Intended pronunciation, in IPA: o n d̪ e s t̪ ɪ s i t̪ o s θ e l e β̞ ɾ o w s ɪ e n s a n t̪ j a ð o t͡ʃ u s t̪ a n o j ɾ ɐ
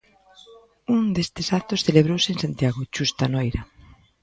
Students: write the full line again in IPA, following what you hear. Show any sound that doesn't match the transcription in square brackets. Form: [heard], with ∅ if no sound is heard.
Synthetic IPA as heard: [u] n d̪ e s t̪ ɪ s [a] t̪ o s θ e l e β̞ ɾ o w s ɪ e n s a n t̪ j a [ɣ] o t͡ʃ u s t̪ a n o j ɾ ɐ